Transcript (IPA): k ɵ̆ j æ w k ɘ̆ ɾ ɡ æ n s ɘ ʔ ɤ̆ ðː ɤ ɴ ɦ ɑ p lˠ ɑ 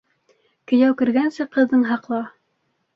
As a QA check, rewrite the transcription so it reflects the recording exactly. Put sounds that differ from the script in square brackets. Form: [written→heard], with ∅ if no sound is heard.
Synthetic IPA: k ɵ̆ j æ w k ɘ̆ ɾ ɡ æ n s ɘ [ʔ→q] ɤ̆ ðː ɤ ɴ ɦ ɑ [p→q] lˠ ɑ